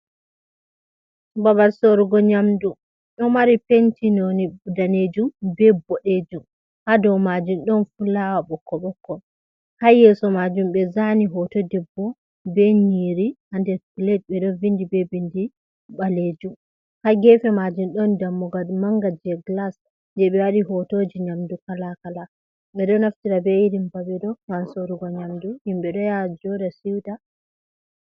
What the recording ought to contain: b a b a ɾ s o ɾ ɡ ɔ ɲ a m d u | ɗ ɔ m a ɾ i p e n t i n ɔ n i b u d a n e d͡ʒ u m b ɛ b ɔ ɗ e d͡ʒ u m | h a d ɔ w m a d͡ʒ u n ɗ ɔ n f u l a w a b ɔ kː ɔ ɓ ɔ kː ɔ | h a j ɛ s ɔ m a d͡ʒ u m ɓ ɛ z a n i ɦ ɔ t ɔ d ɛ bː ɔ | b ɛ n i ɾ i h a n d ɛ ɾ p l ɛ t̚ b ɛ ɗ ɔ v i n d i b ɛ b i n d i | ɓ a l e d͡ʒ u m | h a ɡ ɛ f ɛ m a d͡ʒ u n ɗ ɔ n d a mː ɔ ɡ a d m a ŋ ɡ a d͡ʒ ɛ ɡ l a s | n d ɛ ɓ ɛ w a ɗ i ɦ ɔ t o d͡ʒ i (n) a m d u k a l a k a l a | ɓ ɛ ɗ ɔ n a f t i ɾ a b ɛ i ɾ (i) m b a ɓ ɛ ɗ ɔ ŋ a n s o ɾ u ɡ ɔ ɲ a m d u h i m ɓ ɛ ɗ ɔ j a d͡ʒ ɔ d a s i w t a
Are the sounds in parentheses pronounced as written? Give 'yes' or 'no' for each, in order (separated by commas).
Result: no, yes